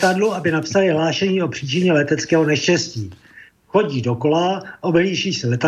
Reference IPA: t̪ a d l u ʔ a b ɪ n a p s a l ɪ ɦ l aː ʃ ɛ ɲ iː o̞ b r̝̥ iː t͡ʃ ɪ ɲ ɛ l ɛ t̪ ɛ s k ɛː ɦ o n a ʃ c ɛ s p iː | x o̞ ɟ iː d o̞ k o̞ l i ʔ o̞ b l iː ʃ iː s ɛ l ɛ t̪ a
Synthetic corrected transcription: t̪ a d l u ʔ a b ɪ n a p s a l ɪ ɦ l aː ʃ ɛ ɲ iː o̞ p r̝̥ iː t͡ʃ ɪ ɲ ɛ l ɛ t̪ ɛ t͡s k ɛː ɦ o n ɛ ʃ c ɛ s c iː | x o̞ ɟ iː d o̞ k o̞ l a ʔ o̞ b l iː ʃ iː s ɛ l ɛ t̪ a